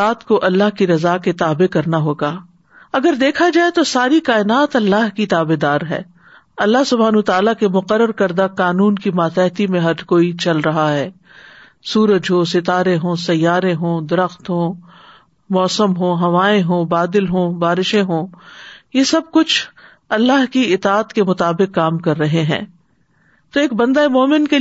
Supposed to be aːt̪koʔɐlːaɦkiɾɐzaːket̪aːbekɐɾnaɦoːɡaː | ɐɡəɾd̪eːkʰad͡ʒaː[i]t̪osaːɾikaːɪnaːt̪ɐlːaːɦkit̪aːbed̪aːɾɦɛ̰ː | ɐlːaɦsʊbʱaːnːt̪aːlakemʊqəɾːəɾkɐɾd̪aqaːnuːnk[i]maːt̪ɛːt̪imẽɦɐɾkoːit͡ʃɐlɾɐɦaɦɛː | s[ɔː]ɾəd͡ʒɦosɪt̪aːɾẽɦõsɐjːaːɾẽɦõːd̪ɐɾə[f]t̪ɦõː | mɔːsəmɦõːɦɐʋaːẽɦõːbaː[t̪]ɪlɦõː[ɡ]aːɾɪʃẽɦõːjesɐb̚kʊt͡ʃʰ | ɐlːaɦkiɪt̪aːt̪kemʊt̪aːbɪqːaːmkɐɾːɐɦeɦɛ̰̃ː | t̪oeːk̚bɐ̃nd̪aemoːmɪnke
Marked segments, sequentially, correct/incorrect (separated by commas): incorrect, correct, incorrect, incorrect, incorrect, incorrect